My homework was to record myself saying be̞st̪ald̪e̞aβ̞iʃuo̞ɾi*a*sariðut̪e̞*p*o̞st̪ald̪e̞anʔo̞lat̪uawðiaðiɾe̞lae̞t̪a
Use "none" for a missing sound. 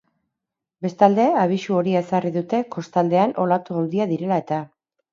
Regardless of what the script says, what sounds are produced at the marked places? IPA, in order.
e, k

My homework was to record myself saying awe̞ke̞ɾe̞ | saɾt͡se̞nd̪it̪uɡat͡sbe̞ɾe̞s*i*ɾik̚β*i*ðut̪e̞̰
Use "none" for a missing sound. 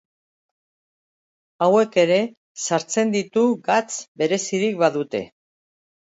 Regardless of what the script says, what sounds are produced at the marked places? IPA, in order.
i, a

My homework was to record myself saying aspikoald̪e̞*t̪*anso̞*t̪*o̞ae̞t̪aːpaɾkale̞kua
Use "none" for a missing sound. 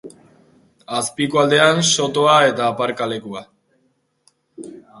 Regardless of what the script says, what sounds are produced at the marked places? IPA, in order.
none, t̪

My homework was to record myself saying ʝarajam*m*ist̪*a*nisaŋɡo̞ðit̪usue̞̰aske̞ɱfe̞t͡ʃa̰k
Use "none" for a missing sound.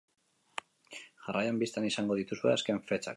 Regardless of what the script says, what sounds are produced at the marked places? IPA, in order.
b, a

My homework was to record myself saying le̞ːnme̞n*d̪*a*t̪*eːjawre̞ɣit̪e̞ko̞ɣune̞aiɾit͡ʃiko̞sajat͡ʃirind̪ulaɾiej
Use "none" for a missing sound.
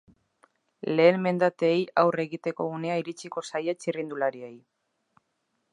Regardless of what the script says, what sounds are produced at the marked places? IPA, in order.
d̪, t̪

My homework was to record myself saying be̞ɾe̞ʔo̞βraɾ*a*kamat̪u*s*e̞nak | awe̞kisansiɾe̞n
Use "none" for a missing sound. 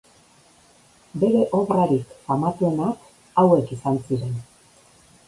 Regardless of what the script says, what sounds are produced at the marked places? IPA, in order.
i, none

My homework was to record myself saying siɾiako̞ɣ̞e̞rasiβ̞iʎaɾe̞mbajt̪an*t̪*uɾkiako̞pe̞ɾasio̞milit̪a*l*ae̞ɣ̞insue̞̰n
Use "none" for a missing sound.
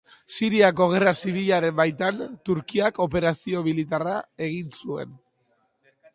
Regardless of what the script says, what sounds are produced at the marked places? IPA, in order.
t̪, r

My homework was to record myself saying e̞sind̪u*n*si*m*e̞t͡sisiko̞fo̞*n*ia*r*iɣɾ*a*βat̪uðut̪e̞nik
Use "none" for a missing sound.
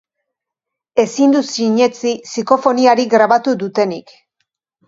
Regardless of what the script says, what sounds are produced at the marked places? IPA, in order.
none, ɲ, n, ɾ, a

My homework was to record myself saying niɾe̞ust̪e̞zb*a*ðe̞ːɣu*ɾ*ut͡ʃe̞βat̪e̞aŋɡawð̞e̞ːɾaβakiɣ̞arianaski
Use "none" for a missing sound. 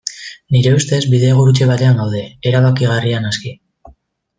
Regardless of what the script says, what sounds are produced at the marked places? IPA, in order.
i, ɾ

